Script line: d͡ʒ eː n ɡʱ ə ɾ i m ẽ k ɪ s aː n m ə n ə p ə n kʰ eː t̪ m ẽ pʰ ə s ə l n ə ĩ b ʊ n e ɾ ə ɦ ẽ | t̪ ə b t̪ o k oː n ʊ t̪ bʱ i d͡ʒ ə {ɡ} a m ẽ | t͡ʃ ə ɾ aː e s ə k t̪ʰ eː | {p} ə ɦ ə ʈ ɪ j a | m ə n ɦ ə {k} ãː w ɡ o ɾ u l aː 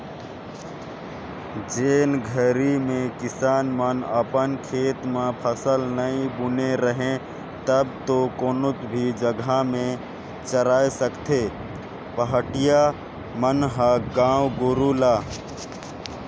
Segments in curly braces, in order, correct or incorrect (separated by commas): correct, correct, incorrect